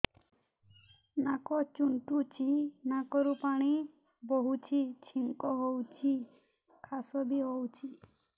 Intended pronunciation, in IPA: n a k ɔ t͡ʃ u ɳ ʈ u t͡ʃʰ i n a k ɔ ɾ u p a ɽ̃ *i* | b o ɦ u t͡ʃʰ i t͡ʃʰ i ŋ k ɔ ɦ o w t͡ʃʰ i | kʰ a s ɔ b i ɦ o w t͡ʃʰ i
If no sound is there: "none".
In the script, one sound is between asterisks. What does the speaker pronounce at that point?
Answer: i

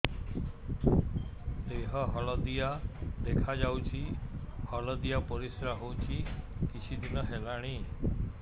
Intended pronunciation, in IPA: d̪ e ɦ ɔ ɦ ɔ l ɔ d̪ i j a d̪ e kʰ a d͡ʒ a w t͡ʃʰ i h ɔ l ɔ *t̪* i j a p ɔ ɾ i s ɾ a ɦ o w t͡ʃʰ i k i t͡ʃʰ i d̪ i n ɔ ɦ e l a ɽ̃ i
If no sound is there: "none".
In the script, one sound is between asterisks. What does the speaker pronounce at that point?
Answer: d̪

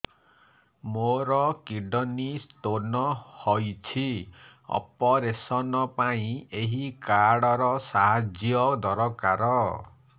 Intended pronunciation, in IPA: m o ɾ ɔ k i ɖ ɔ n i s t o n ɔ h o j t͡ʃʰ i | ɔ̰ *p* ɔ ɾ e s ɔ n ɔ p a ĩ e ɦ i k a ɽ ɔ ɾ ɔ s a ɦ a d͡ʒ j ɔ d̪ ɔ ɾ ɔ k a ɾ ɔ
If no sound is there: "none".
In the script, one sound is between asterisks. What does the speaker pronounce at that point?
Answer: p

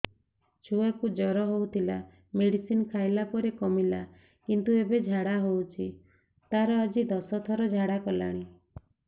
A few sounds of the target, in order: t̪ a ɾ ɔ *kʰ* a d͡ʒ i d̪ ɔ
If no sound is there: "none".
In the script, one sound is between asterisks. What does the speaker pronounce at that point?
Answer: none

